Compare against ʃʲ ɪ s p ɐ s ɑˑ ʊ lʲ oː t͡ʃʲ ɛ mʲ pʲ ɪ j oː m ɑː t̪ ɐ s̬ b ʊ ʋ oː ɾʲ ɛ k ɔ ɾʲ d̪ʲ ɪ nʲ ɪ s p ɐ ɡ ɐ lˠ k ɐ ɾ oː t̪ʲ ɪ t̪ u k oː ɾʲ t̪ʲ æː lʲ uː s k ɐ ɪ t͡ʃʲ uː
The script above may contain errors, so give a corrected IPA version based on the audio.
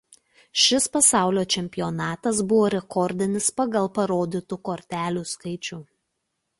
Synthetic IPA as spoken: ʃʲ ɪ s p ɐ s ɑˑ ʊ lʲ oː t͡ʃʲ ɛ mʲ pʲ ɪ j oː n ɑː t̪ ɐ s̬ b ʊ ʋ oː ɾʲ ɛ k ɔ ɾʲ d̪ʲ ɪ nʲ ɪ s p ɐ ɡ ɐ lˠ p ɐ ɾ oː d̪ʲ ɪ t̪ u k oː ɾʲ t̪ʲ æː lʲ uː s k ɐ ɪ t͡ʃʲ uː